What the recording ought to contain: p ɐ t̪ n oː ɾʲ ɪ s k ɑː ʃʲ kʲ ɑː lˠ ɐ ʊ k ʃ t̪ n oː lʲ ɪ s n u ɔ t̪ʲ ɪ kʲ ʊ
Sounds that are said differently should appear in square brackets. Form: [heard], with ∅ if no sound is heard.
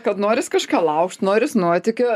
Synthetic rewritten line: [k] ɐ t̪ n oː ɾʲ ɪ s k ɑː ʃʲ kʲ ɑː lˠ ɐ ʊ k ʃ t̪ n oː [ɾʲ] ɪ s n u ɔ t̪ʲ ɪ kʲ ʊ